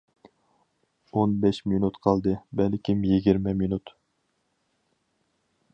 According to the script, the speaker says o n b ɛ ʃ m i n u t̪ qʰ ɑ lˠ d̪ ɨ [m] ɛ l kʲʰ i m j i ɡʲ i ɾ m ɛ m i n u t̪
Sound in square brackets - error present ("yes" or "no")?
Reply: yes